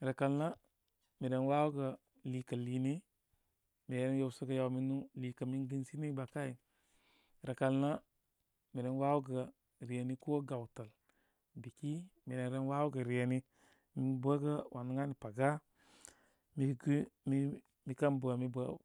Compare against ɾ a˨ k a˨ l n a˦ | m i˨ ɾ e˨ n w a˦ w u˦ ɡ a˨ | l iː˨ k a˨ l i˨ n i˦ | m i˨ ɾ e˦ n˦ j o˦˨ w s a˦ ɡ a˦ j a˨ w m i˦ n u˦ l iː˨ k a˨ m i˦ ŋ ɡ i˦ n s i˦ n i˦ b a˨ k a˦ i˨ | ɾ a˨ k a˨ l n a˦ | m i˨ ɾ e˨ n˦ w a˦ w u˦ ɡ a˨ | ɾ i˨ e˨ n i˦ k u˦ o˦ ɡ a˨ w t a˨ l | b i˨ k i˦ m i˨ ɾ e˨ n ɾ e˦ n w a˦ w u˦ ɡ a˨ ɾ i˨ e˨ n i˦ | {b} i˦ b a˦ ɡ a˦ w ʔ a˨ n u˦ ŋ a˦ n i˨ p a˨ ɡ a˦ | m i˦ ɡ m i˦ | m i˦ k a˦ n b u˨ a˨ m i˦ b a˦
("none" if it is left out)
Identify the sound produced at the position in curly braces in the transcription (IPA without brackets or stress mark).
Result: m